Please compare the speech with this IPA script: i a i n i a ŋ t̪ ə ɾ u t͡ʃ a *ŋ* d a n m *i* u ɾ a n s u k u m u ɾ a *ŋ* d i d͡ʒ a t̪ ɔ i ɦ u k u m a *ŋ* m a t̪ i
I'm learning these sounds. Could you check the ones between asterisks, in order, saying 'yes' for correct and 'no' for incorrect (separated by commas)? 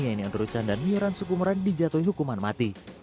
no, yes, no, no